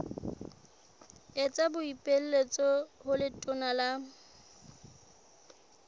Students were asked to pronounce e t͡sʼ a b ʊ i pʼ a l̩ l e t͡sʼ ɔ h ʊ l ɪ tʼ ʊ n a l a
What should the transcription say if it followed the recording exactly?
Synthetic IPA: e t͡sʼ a b ʊ i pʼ e l̩ l e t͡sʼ ɔ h ʊ l ɪ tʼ ʊ n a l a